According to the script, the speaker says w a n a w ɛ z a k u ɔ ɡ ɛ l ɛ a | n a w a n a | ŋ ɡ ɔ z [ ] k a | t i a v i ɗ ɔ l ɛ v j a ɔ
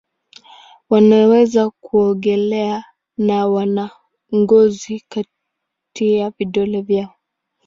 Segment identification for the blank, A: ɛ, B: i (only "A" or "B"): B